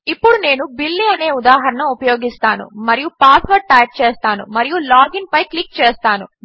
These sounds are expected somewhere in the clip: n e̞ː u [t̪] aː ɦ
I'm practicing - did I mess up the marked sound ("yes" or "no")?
yes